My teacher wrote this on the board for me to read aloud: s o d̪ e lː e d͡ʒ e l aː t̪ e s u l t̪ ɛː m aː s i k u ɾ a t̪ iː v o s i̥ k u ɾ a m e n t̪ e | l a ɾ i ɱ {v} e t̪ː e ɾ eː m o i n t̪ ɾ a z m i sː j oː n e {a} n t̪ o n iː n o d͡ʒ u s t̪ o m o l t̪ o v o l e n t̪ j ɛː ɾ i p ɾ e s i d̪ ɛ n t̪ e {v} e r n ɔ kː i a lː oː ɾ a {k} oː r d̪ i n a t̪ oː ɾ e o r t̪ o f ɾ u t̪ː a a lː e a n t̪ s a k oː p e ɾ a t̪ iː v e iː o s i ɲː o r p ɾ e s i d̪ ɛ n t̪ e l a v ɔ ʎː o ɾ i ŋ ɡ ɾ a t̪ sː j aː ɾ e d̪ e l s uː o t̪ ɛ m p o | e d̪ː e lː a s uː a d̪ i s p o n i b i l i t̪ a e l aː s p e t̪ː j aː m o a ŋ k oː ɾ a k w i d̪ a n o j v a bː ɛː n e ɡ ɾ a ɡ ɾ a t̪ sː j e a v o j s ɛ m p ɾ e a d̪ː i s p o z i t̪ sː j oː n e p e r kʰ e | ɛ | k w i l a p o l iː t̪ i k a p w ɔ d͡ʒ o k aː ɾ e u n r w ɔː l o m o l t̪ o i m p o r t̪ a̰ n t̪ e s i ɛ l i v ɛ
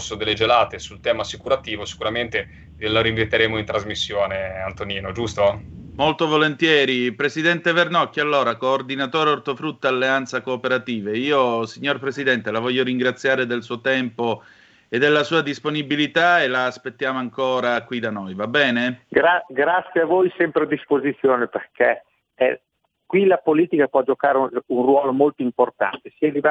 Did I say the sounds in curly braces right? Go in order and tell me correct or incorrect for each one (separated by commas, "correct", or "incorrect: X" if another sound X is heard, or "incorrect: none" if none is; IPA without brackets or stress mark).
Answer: correct, correct, correct, correct